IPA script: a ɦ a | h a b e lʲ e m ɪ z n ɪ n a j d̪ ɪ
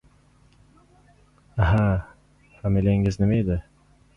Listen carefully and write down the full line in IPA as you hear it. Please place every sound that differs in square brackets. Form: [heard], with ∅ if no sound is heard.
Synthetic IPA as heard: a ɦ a | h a [m] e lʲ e [ŋ] ɪ z n ɪ [m] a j d̪ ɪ